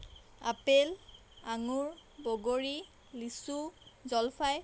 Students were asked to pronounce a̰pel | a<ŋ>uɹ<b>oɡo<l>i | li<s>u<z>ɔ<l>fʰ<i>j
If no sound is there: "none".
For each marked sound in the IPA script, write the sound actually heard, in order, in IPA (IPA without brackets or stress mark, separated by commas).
ŋ, b, ɹ, s, z, l, a